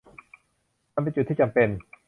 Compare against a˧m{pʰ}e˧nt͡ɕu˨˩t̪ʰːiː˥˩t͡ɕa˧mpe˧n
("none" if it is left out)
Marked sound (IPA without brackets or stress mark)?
p